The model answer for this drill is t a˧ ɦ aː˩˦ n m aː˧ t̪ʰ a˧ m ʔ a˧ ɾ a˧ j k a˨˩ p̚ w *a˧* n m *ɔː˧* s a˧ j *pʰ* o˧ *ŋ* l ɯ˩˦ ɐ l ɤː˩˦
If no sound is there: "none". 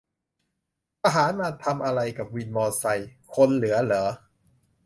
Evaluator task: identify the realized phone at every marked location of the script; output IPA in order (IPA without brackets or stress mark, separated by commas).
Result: i˧, ɔː˧, kʰ, n